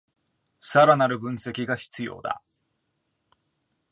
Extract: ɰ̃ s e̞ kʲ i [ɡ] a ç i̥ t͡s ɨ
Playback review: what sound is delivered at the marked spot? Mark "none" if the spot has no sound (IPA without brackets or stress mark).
ɡ